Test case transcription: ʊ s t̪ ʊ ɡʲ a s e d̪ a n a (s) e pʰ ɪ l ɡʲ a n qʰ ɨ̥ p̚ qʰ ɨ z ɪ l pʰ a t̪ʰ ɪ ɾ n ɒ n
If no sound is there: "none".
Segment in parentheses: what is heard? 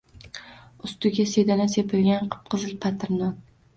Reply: s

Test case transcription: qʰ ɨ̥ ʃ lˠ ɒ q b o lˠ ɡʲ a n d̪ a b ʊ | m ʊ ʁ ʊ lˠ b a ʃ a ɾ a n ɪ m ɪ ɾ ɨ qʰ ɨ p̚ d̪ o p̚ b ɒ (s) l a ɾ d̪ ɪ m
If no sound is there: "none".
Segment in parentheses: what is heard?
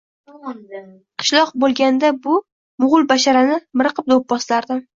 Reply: s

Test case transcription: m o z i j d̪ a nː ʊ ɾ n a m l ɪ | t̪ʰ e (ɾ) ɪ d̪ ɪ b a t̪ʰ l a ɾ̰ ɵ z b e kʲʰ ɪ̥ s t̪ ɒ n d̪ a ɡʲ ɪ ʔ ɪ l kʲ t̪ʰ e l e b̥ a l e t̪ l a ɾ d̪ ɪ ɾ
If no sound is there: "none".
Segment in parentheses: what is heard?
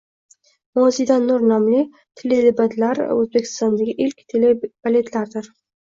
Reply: l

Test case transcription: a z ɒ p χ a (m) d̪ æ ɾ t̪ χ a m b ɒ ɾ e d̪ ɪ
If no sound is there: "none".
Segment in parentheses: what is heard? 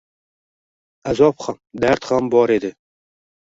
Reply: m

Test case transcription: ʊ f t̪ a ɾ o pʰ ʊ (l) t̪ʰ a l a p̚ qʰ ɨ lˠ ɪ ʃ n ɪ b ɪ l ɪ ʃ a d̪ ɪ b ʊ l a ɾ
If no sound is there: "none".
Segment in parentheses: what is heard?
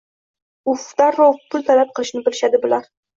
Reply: l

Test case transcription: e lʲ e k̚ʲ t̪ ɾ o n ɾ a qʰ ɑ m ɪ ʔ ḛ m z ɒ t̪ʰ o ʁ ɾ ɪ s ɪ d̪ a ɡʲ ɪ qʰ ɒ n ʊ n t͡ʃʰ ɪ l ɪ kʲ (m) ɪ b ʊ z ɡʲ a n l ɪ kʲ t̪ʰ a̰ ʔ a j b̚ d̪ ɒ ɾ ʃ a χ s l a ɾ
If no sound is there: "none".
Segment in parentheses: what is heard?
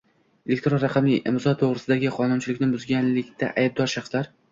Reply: n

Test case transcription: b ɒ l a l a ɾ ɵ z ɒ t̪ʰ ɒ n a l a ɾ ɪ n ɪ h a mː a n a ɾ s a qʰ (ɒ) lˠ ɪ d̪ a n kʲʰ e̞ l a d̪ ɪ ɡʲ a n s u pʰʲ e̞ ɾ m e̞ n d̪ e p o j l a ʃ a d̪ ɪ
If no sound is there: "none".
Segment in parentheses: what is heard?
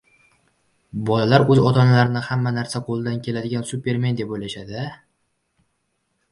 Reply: o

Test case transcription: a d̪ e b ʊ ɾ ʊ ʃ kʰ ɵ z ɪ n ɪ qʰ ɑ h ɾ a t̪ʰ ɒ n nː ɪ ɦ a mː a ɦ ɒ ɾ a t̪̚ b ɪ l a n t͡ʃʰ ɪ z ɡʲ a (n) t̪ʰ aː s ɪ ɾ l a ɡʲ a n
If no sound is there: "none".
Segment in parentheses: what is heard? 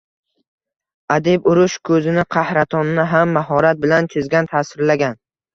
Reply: n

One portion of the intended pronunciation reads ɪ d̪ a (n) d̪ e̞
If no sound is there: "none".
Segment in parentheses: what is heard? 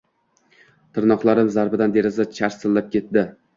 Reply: n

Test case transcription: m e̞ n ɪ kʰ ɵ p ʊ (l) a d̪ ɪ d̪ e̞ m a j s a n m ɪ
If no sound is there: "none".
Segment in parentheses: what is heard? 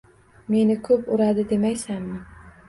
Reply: ɾ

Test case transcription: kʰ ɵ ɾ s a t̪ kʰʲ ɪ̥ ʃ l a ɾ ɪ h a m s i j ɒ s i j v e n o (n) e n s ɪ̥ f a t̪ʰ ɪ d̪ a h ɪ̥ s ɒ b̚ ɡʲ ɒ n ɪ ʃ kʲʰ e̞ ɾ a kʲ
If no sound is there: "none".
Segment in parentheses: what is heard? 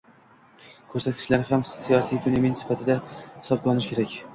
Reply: m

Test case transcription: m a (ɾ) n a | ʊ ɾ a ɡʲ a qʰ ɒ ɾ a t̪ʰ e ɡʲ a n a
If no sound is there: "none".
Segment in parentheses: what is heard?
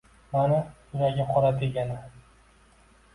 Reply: none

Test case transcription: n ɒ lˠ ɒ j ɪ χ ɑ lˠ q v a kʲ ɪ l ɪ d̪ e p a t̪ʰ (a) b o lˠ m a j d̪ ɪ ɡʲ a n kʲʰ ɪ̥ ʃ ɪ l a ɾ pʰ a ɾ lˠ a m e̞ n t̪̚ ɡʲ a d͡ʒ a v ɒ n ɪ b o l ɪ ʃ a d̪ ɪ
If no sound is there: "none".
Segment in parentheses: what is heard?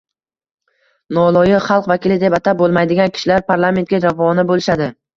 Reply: a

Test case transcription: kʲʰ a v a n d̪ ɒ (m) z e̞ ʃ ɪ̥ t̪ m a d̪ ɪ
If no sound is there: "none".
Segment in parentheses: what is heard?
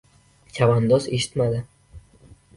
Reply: none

